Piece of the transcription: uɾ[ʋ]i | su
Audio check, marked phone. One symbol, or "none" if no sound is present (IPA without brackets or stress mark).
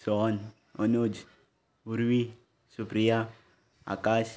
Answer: w